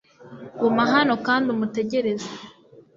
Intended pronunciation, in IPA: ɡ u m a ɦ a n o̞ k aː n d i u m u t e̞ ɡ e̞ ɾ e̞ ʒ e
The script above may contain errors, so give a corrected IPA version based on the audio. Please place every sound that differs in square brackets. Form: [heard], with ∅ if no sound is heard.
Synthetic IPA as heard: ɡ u m a ɦ a n o̞ k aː n d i u m u t e̞ [ɟ] e̞ ɾ e̞ [z] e